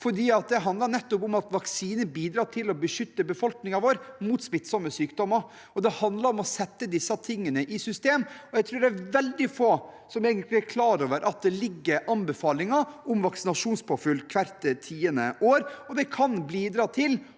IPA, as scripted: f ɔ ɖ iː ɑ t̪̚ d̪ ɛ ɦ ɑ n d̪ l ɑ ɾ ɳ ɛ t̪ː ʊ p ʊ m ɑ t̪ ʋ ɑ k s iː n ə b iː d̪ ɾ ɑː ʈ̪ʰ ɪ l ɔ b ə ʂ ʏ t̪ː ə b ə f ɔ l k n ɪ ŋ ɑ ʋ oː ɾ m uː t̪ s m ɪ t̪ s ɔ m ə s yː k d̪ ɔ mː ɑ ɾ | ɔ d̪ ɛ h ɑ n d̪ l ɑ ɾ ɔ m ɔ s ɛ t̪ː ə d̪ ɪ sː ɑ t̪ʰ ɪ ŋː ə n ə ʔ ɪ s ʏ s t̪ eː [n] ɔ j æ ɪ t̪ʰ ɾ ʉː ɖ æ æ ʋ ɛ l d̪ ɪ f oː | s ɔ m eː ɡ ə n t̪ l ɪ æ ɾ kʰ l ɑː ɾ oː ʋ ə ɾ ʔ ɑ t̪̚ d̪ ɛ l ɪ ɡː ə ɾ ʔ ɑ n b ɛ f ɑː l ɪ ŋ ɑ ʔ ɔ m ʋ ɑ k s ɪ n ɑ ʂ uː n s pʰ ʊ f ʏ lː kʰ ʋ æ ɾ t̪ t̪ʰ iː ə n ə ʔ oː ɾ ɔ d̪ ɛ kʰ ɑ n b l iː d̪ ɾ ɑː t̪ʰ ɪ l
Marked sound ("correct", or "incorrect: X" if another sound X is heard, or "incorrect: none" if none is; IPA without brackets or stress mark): incorrect: m